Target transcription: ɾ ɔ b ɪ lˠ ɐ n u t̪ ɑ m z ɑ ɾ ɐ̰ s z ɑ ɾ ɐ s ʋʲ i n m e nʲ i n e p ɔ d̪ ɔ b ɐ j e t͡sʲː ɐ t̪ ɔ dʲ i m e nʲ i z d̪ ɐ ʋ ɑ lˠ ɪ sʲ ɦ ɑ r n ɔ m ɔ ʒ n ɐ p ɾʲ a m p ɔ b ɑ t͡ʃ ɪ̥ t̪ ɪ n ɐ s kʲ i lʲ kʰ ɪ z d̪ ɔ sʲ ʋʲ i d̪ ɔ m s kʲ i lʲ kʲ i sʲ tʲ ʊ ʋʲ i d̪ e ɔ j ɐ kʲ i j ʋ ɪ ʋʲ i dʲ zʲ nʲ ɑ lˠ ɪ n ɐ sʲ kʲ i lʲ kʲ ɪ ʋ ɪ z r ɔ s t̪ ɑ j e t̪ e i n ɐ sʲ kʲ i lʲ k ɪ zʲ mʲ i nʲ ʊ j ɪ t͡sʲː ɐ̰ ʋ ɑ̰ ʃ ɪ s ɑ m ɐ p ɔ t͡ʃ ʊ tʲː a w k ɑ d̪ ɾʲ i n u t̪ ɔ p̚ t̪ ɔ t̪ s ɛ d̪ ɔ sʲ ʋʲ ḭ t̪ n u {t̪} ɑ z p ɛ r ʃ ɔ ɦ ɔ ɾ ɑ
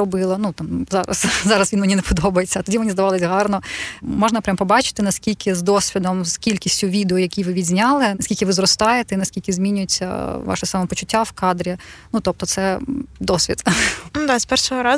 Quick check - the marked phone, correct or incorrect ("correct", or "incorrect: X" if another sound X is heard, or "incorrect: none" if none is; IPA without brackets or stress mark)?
incorrect: d̪